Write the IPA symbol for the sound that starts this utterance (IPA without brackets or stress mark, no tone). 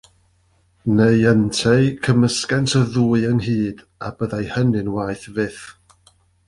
n